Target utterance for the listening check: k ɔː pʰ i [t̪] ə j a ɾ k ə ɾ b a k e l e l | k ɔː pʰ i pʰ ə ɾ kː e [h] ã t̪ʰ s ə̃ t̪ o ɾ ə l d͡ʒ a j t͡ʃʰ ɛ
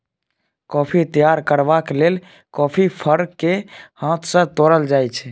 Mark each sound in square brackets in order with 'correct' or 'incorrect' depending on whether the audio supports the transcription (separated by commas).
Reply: correct, correct